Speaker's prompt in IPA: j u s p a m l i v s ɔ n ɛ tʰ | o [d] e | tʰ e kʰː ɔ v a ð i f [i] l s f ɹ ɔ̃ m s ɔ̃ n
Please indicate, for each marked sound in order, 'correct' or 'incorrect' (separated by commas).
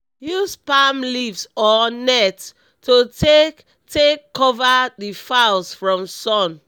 incorrect, incorrect